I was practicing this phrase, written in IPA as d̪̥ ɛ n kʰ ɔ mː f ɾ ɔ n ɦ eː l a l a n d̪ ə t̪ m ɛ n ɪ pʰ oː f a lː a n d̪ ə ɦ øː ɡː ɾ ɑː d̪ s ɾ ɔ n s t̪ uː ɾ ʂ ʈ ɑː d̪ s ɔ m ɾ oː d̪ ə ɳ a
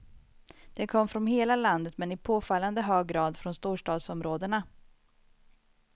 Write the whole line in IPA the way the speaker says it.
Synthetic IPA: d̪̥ ɛ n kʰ ɔ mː f ɾ ɔ n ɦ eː l a l a n d̪ ə t̪ m ɛ n ɪ pʰ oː f a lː a n d̪ ə ɦ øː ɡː ɾ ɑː d̪ f ɾ ɔ n s t̪ uː ʂ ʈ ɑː d̪ s ɔ m ɾ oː d̪ ə ɳ a